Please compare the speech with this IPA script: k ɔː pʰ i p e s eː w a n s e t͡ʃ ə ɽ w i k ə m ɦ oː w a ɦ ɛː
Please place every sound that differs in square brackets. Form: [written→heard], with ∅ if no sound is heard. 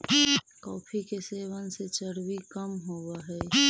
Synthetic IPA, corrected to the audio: k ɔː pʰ i [p→k] e s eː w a n s e t͡ʃ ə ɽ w i k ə m ɦ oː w a ɦ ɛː